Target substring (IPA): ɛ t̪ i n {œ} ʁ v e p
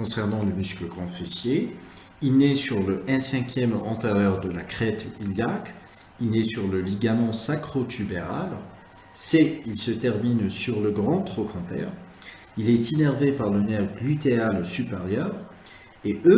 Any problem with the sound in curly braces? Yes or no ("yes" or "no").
yes